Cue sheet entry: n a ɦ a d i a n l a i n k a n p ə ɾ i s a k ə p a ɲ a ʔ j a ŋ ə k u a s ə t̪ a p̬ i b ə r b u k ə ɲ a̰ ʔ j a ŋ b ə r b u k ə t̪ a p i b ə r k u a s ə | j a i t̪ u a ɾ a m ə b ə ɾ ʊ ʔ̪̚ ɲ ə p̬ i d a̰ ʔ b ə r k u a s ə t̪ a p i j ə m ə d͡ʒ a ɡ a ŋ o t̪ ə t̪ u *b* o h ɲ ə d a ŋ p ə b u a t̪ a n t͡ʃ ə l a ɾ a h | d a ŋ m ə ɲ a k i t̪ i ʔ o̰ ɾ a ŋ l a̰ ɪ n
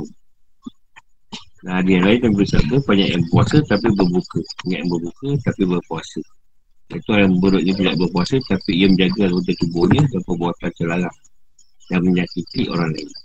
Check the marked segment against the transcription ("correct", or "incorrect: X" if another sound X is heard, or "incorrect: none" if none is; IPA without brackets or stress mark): correct